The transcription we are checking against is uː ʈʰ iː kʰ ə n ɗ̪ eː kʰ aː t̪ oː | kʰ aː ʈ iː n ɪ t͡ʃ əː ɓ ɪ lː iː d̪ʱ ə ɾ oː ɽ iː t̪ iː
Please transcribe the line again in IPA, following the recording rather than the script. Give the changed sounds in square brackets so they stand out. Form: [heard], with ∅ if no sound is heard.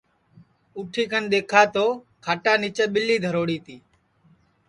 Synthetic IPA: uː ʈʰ iː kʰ ə n ɗ̪ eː kʰ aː t̪ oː | kʰ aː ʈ [aː] n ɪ t͡ʃ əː ɓ ɪ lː iː d̪ʱ ə ɾ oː ɽ iː t̪ iː